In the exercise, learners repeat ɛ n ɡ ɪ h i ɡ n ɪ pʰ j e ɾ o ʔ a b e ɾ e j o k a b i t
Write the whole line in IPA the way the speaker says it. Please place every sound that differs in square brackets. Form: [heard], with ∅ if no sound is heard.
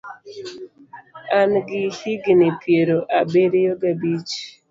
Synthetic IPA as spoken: [a] n ɡ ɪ h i ɡ n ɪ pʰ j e ɾ o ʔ a b e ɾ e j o [ɡ] a b i [t͡ʃ]